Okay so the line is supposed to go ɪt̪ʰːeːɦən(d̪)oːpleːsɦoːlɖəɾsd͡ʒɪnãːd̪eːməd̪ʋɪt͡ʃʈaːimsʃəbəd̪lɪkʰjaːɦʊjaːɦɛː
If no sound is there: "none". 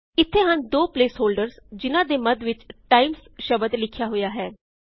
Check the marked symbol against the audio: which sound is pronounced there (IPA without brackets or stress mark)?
d̪